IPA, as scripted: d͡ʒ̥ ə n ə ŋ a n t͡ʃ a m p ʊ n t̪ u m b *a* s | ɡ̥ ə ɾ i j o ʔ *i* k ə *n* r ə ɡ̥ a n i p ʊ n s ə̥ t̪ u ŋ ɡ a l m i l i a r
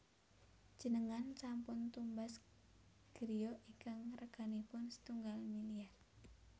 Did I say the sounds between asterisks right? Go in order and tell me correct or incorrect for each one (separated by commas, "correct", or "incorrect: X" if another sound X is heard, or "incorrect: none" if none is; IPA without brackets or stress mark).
correct, correct, incorrect: ŋ